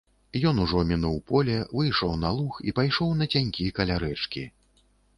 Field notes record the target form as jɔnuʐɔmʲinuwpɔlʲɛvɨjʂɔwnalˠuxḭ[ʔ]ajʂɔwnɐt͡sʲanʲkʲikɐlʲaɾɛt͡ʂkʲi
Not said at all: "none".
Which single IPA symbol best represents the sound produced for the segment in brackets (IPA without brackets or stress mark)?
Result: p